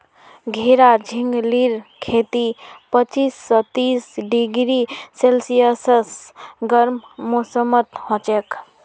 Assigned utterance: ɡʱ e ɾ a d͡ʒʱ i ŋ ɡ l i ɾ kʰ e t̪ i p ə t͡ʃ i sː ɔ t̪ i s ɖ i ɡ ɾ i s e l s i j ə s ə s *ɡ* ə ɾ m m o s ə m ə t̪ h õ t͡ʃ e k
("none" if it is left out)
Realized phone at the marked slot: ɡ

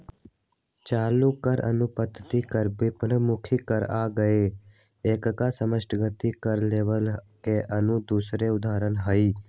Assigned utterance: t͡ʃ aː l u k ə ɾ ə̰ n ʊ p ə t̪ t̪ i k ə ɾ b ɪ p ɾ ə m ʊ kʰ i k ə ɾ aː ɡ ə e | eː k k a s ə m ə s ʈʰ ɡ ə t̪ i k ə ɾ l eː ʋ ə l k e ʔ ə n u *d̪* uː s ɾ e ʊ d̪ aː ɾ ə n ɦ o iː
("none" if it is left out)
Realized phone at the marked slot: d̪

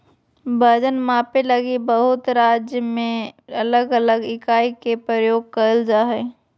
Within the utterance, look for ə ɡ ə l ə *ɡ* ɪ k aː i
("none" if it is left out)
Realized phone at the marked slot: ɡ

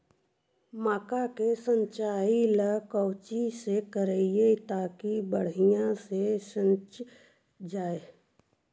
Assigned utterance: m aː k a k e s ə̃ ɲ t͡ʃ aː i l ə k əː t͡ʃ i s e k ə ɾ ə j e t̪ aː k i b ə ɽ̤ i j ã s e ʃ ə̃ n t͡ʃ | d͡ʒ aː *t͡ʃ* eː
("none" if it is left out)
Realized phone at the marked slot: none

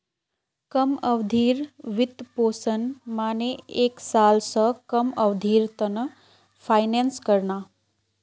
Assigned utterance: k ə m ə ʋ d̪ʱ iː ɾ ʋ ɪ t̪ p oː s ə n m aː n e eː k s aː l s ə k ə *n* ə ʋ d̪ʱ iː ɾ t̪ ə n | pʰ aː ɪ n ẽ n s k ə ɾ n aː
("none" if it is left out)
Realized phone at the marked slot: m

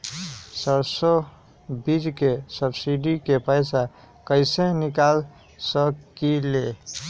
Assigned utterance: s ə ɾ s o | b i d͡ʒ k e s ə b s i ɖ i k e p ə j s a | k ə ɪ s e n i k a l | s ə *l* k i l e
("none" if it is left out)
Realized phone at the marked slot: none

